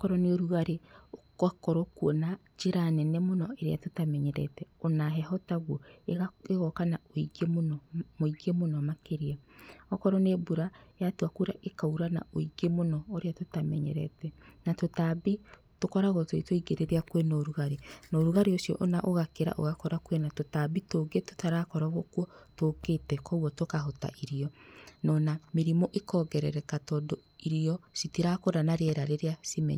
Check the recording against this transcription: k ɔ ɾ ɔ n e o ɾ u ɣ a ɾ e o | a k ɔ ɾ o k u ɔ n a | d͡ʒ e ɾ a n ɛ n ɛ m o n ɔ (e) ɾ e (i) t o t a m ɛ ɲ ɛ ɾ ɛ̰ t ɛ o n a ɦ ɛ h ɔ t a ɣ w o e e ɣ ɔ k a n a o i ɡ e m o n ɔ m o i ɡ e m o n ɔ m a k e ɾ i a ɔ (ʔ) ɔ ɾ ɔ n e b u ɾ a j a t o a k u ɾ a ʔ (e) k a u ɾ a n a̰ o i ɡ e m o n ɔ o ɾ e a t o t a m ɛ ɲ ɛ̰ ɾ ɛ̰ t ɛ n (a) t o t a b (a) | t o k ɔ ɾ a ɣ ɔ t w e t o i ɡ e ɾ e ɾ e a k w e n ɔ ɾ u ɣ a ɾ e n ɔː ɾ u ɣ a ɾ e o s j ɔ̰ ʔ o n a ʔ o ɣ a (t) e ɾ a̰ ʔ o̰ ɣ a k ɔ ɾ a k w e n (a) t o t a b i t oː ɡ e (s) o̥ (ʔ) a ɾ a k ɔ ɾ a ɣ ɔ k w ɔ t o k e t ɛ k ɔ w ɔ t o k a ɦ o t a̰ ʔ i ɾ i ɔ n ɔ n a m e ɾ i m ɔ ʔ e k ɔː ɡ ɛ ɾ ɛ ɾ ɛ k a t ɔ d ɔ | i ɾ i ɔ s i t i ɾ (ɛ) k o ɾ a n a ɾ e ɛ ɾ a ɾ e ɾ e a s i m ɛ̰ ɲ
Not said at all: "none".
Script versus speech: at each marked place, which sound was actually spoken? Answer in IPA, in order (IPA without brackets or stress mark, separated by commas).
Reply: e, a, k, e, a, i, k, a, t, t, a